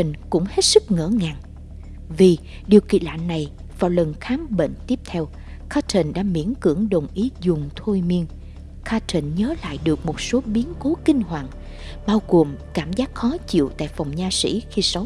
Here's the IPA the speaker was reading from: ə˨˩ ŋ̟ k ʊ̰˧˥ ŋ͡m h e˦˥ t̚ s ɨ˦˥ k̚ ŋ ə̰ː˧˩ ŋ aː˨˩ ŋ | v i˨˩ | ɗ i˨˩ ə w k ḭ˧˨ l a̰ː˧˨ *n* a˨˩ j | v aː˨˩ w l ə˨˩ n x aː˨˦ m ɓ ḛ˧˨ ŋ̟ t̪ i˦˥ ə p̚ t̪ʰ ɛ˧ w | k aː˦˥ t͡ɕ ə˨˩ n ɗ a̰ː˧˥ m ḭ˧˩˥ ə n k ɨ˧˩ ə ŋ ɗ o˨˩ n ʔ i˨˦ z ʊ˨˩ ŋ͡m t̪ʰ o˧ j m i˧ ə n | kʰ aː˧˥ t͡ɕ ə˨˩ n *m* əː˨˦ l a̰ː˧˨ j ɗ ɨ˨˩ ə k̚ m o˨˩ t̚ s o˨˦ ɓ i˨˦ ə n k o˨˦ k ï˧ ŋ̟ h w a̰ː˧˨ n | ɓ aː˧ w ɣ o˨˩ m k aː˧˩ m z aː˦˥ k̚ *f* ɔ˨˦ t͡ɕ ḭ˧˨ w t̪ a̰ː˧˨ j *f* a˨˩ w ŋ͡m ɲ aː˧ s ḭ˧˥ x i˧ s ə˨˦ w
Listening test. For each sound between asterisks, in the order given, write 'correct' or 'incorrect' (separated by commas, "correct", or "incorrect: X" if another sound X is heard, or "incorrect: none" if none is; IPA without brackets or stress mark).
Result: incorrect: nː, incorrect: ɲ, incorrect: x, correct